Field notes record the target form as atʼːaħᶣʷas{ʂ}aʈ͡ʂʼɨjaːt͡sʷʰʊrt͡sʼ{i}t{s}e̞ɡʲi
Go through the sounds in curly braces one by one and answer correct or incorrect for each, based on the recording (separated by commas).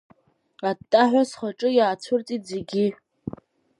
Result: incorrect, correct, incorrect